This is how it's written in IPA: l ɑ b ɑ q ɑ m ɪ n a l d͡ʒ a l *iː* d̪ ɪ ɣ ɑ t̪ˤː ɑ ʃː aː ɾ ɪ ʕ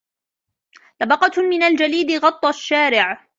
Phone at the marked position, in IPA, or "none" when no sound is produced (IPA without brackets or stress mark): iː